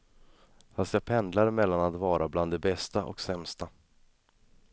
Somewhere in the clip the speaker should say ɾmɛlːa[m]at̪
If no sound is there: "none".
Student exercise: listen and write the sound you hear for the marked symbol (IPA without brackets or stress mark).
n